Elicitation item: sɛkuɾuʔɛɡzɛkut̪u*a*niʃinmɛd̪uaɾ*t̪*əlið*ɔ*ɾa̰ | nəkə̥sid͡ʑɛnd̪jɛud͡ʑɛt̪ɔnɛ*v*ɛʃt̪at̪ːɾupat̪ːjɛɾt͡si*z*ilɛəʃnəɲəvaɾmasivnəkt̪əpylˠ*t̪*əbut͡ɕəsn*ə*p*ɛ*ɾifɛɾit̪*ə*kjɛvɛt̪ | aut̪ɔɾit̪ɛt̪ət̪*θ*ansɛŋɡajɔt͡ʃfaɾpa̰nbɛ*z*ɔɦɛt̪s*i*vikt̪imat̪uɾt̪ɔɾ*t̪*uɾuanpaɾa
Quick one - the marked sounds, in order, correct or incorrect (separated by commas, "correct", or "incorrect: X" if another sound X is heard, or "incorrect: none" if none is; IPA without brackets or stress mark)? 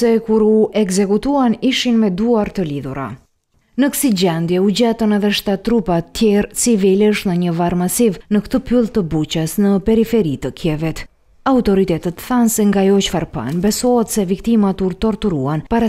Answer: correct, correct, incorrect: u, incorrect: ð, incorrect: v, correct, correct, correct, correct, correct, incorrect: s, incorrect: ɛ, correct